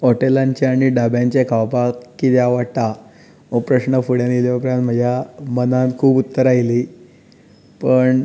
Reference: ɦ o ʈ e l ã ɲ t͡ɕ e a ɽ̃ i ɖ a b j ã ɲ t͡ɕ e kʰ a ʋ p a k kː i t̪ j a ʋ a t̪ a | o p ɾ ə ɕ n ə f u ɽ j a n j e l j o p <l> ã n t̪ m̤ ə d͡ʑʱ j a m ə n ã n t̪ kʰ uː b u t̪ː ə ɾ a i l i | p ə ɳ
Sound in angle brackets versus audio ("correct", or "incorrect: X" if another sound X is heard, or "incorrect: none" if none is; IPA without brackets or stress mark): incorrect: ɾ